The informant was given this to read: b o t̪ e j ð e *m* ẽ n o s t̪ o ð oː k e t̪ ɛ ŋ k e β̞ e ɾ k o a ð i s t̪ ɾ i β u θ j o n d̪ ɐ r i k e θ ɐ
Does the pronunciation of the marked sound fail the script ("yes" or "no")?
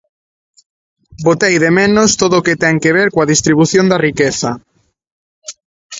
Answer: no